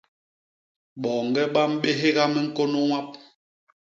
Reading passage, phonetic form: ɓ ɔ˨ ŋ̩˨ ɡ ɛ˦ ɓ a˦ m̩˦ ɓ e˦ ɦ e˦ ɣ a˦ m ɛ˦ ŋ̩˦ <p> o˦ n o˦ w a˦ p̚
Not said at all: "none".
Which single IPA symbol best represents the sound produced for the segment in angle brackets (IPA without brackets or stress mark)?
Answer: k